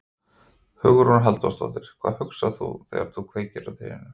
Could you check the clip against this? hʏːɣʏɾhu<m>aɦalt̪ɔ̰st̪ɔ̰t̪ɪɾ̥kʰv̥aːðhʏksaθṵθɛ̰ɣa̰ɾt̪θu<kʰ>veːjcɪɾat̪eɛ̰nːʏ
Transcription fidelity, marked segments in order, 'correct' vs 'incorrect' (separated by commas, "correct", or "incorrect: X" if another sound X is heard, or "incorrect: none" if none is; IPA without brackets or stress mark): incorrect: n, correct